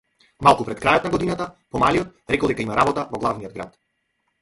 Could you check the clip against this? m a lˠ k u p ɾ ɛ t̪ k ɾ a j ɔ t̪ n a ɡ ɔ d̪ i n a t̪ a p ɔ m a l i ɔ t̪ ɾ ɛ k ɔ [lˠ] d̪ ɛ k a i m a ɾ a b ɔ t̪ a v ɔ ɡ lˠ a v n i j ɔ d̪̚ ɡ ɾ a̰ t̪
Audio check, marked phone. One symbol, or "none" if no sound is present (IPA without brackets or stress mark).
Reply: lˠ